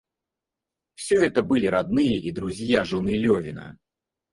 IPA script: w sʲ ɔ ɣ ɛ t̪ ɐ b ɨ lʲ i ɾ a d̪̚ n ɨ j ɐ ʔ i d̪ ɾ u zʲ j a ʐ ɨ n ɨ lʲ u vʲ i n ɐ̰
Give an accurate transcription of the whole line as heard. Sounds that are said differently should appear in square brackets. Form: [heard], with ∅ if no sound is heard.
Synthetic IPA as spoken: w sʲ ɔ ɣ ɛ t̪ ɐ b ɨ lʲ i ɾ a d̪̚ n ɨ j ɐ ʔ i d̪ ɾ u zʲ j a ʐ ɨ n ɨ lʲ [ɔ] vʲ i n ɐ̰